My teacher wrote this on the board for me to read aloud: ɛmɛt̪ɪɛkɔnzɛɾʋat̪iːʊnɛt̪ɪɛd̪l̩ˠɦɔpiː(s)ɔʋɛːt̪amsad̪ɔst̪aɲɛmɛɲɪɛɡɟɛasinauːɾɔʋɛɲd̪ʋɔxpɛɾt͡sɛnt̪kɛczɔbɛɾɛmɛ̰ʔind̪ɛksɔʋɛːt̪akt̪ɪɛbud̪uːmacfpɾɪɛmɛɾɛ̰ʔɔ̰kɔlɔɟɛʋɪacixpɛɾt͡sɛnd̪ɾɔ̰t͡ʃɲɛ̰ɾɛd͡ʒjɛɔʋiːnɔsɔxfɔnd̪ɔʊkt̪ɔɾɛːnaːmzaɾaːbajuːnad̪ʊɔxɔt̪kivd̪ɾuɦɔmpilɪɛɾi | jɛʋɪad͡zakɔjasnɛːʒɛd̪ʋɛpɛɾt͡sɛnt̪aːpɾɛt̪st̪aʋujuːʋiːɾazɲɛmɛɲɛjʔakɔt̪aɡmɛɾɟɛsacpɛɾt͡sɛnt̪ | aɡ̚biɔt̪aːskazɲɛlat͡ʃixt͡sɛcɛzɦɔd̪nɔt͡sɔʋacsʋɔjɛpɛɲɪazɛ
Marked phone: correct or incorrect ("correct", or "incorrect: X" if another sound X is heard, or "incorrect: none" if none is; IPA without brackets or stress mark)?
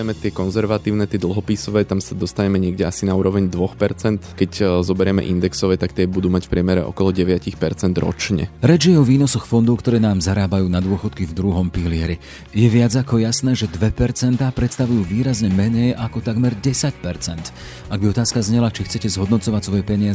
correct